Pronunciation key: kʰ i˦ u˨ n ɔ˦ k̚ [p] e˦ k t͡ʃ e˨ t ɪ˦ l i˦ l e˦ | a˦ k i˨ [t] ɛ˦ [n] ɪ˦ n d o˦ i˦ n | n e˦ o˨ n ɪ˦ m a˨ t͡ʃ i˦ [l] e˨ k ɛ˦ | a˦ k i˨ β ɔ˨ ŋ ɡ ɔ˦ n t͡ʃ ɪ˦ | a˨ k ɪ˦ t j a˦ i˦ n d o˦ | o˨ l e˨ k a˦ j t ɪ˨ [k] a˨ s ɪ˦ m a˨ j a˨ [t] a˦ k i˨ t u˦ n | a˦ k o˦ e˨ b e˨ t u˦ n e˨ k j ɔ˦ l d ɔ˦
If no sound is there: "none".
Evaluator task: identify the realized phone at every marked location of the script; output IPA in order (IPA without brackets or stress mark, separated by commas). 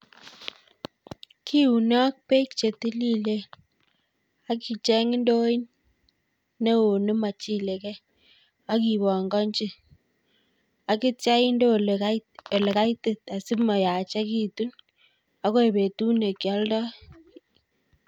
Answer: p, t͡ʃ, ŋ, l, t, t͡ʃ